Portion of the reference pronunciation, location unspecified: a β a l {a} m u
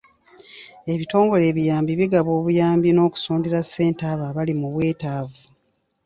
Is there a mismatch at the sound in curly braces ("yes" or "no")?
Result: yes